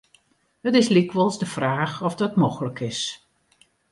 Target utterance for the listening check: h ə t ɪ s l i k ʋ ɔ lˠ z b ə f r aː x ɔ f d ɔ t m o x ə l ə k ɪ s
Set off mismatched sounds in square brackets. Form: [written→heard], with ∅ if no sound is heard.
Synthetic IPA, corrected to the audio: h ə t ɪ s l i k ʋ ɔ lˠ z [b→d] ə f r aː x ɔ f d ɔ t m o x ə l ə k ɪ s

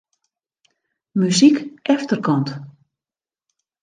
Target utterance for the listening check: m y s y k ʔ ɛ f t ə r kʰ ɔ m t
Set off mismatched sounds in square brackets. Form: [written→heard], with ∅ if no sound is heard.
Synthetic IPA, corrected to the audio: m y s [y→i] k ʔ ɛ f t ə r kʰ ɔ [m→n] t

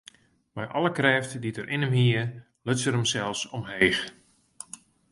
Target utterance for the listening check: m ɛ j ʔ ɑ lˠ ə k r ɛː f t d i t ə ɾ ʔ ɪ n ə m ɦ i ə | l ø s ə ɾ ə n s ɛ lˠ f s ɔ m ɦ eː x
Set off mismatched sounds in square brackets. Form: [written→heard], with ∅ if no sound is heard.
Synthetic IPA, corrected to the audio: m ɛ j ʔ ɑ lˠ ə k r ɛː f t d i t ə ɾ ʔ ɪ n ə m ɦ i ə | l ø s ə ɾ ə [n→m] s ɛ lˠ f s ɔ m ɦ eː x

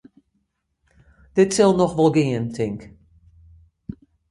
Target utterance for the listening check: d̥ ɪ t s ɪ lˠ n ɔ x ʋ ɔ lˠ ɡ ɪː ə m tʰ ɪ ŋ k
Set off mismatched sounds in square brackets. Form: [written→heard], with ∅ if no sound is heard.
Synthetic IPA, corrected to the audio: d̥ ɪ t s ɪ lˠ n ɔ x ʋ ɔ lˠ ɡ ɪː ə [m→n] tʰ ɪ ŋ k

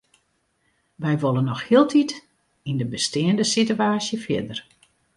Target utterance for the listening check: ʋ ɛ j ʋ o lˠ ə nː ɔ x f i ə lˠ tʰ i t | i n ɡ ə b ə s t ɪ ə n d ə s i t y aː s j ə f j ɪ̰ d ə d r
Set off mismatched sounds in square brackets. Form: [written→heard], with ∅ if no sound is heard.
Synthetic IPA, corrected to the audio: ʋ ɛ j ʋ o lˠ ə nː ɔ x [f→h] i ə lˠ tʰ i t | i n [ɡ→d] ə b ə s t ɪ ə n d ə s i t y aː s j ə f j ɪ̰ d ə [d→∅] r

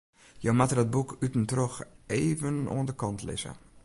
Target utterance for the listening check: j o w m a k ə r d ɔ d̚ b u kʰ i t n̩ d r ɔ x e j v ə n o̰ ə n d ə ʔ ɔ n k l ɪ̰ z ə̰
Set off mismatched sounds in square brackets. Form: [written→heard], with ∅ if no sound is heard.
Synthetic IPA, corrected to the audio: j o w m a [k→t] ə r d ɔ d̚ b u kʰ [i→y] t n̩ [d→t] r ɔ x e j v ə n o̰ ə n d ə [ʔ→k] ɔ n [k→t] l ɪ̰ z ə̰

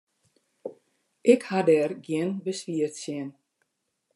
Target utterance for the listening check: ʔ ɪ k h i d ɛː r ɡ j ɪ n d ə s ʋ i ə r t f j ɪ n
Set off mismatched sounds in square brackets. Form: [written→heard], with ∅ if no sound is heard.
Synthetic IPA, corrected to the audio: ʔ ɪ k h [i→a] d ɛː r ɡ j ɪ n [d→b] ə s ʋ i ə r t [f→s] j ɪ n

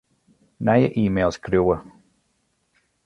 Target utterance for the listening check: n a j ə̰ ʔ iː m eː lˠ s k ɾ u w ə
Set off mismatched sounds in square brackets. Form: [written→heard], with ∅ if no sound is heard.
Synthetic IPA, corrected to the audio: n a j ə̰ ʔ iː m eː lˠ s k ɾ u w ə

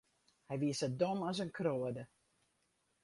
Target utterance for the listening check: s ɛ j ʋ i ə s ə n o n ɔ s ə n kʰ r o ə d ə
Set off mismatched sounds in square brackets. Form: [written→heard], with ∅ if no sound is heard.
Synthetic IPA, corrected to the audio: [s→h] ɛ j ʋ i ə s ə [n→d] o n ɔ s ə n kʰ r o ə d ə

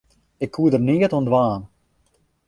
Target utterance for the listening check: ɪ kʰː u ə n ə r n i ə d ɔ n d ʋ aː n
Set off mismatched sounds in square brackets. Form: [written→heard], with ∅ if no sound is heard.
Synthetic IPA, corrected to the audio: ɪ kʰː u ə [n→d] ə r n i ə [d→t] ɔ n d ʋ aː n

